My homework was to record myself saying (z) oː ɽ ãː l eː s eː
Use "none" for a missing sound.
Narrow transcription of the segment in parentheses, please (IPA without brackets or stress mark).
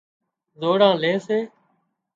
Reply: z